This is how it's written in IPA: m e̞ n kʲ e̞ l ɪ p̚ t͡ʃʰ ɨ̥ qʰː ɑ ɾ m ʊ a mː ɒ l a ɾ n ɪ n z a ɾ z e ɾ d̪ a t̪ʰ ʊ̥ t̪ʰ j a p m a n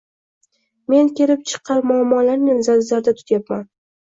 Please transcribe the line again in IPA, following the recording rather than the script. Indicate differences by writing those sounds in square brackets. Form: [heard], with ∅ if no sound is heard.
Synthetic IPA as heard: m e̞ n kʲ e̞ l ɪ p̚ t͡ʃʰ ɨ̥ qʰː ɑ ɾ m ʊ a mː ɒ l a ɾ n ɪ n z a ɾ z [a] ɾ d̪ a t̪ʰ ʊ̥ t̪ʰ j a p m a n